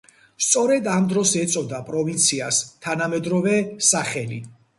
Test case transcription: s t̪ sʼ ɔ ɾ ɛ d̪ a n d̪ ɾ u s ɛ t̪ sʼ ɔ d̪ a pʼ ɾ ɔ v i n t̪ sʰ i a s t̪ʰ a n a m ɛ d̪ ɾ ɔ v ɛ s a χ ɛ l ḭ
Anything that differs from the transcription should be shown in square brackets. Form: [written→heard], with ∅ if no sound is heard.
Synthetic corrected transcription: s t̪ sʼ ɔ ɾ ɛ d̪ a [n→m] d̪ ɾ [u→ɔ] s ɛ t̪ sʼ ɔ d̪ a pʼ ɾ ɔ v i n t̪ sʰ i a s t̪ʰ a n a m ɛ d̪ ɾ ɔ v ɛ s a χ ɛ l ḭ